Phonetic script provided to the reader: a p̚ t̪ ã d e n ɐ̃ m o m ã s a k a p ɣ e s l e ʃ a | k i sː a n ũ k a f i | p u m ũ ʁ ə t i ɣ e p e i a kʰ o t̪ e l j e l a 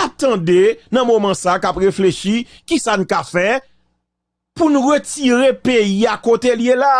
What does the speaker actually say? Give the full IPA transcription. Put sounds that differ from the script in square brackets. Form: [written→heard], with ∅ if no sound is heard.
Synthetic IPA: a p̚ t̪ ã d e n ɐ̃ m o m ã s a k a p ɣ e [s→f] l e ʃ [a→i] | k i [sː→s] a n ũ k a f [i→ɛ] | p u [m→n] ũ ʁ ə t i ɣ e p e i a [kʰ→k] o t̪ e l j e l a